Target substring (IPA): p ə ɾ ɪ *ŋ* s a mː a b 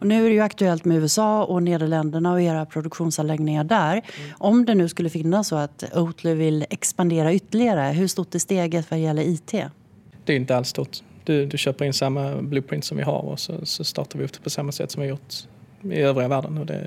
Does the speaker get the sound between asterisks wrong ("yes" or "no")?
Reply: yes